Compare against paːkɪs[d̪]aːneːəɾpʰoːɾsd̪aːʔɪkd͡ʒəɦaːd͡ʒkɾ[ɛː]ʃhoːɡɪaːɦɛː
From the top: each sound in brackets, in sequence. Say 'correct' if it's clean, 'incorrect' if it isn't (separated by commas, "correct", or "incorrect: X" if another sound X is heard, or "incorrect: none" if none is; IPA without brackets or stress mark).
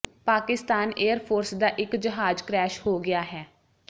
incorrect: t̪, correct